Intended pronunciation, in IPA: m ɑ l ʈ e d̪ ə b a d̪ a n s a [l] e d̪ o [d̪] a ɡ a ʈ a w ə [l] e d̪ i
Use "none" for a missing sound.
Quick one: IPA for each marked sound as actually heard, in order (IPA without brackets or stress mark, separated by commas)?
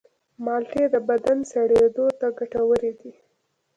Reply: ɽ, t̪, ɾ